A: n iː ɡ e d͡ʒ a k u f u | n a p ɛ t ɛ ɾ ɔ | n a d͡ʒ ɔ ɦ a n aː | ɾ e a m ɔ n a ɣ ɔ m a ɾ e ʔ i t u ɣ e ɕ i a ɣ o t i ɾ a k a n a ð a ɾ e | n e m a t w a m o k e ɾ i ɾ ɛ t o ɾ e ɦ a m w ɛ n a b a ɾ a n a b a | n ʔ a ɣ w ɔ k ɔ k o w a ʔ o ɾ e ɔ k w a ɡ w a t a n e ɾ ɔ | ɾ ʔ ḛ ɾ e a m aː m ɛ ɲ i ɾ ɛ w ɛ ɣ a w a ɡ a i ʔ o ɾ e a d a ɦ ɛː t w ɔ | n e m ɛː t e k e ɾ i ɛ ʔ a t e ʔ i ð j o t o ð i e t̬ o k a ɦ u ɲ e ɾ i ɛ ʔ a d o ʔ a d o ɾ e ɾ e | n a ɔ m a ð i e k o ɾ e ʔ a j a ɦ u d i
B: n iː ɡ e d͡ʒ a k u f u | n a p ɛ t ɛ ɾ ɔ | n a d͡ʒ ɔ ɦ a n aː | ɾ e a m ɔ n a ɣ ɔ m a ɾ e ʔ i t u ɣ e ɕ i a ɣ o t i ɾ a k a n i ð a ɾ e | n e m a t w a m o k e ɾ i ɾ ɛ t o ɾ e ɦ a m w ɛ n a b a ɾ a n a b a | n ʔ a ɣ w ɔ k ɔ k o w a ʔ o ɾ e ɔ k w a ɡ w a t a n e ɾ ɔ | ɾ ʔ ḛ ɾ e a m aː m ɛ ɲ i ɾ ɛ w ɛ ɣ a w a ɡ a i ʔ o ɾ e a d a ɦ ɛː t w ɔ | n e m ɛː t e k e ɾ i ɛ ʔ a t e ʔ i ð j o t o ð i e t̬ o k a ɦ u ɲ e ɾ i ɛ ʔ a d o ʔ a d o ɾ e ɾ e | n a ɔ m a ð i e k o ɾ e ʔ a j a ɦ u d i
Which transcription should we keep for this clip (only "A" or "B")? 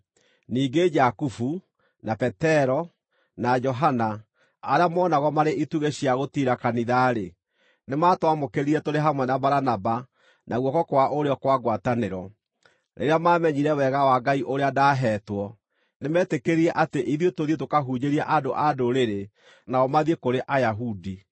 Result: B